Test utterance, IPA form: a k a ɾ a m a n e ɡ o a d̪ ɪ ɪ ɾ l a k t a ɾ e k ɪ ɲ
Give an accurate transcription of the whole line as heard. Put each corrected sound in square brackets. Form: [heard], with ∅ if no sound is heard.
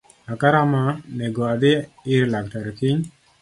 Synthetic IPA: a k a ɾ a m a n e ɡ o a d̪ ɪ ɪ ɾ l a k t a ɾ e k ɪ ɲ